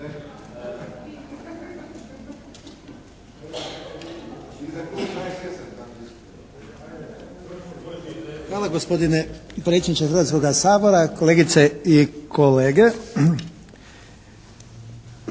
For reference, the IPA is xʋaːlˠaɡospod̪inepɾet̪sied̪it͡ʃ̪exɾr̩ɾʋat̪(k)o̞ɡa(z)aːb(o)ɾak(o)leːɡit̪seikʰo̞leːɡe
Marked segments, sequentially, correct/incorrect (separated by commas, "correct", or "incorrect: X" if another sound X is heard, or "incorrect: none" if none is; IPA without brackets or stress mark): correct, incorrect: s, correct, correct